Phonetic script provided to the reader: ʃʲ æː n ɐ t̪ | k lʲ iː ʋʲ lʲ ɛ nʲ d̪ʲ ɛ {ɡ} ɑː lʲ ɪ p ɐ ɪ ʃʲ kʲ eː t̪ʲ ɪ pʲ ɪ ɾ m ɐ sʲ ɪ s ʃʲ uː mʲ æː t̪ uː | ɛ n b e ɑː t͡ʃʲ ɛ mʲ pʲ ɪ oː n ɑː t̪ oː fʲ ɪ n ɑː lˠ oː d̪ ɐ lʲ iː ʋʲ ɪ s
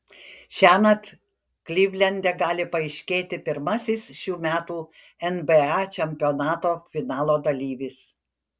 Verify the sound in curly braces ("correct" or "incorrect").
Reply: correct